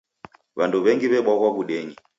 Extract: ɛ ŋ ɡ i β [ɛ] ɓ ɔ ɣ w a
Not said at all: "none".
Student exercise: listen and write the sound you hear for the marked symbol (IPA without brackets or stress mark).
ɛ